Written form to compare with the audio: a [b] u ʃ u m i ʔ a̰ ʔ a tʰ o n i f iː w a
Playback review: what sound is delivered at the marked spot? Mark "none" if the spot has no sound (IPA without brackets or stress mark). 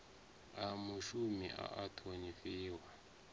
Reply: m